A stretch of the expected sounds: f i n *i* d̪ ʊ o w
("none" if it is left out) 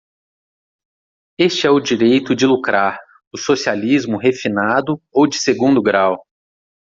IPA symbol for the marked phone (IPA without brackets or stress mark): a